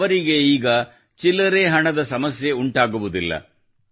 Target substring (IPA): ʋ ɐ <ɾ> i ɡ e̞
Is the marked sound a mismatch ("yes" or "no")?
no